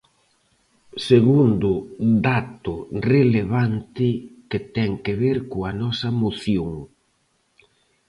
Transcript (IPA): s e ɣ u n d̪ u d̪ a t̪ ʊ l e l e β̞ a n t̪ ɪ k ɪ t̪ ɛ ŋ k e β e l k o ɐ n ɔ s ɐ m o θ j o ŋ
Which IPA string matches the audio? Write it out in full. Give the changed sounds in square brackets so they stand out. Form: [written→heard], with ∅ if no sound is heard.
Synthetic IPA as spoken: s e ɣ u n d̪ [u→ʊ] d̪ a t̪ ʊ [l→r] e l e β̞ a n t̪ ɪ k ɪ t̪ ɛ ŋ k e β e [l→ɾ] k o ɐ n ɔ s ɐ m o θ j o ŋ